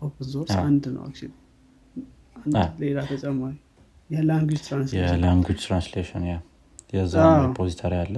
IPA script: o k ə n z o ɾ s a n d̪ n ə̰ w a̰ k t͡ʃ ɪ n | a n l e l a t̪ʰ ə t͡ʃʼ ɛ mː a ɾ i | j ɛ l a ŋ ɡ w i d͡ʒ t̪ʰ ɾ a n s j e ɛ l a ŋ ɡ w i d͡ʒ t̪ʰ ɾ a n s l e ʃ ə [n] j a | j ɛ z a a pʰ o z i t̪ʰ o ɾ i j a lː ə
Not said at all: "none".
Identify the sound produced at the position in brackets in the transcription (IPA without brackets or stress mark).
n